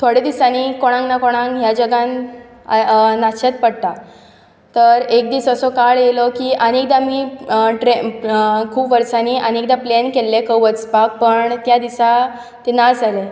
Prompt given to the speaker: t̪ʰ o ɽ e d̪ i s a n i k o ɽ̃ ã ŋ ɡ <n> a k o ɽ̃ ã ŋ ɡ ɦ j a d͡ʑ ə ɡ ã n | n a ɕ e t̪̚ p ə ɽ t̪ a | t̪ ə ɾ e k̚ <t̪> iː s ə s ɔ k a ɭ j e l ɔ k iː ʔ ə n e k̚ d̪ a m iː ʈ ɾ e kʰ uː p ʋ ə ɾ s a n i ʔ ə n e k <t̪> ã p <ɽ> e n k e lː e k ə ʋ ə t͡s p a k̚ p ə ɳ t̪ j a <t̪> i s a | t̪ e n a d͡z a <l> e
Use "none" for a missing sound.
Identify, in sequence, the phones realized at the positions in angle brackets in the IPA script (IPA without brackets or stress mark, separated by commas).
n, d̪, d̪, l, d̪, l